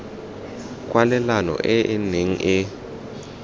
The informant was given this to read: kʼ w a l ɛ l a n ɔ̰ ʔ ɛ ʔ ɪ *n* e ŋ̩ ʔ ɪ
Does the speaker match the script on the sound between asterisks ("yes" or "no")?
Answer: yes